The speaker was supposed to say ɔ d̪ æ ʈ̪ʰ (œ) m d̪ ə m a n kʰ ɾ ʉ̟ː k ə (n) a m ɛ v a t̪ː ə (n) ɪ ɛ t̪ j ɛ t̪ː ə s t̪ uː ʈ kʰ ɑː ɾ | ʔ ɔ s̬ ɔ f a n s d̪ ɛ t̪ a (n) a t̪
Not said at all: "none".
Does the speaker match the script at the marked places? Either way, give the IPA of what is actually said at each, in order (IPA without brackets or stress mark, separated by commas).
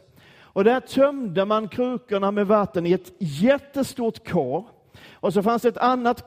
œ, ɳ, n, nː